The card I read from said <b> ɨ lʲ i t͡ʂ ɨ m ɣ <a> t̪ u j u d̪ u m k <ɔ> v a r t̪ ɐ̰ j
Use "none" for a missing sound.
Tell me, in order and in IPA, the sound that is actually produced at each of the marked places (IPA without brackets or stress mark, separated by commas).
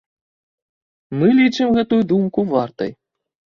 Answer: m, ɛ, u